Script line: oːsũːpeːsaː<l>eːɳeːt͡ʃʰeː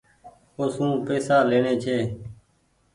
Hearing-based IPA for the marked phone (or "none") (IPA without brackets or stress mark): l